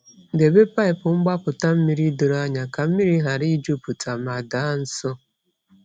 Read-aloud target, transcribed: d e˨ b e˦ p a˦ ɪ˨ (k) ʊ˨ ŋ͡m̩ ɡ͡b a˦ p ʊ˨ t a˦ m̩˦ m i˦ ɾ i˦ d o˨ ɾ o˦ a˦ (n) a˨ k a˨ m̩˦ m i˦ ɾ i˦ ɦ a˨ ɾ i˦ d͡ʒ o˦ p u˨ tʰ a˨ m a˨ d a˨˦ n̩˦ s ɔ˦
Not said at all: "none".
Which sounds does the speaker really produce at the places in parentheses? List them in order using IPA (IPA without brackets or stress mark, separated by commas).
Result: p, ɲ